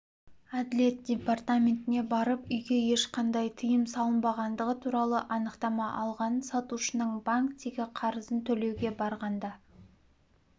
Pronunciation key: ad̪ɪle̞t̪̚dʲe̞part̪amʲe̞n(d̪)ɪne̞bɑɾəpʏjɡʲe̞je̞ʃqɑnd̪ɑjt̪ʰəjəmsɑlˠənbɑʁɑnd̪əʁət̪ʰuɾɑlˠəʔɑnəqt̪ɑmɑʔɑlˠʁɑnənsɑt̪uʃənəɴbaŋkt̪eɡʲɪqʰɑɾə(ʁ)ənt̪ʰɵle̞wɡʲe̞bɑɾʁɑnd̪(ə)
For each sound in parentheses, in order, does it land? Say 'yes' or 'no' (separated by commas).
no, no, no